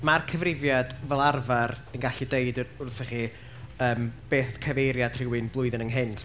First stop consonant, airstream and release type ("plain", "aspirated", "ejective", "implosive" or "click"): aspirated